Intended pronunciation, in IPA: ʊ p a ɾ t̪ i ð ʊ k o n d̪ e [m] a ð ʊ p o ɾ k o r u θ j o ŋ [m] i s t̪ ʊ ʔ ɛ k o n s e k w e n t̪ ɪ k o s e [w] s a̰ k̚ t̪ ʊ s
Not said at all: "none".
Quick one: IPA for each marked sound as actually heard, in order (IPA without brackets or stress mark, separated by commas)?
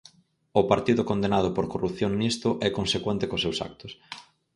n, n, w